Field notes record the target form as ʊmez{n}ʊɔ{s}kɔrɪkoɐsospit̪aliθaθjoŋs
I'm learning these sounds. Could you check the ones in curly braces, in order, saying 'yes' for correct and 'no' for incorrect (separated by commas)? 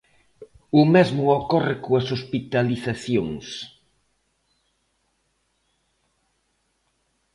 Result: no, no